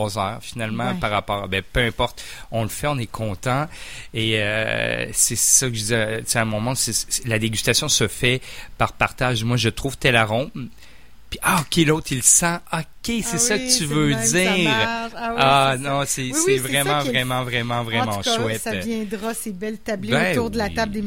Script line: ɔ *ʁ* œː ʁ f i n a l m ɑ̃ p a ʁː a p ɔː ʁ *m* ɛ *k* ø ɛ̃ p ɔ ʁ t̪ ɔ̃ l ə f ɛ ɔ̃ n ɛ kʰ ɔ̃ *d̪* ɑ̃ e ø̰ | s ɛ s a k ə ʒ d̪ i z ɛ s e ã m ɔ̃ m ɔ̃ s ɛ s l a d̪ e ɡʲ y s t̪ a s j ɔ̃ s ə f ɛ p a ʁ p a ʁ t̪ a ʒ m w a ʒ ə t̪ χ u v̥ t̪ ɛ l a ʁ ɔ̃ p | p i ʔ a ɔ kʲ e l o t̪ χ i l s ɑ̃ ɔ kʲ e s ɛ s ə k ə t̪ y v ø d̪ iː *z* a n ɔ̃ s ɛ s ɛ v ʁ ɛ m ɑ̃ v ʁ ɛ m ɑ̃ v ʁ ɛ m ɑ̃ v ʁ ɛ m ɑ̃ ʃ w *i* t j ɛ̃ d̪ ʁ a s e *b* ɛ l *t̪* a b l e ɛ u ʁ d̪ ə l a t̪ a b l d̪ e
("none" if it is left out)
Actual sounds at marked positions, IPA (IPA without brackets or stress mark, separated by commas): z, b, p, t̪, ʁ, ɛ, b, t̪